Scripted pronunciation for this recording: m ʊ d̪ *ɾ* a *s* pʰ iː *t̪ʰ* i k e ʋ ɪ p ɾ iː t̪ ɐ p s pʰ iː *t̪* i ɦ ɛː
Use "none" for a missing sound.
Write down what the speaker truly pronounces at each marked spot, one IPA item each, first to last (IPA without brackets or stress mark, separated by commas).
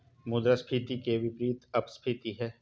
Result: ɾ, s, t̪, t̪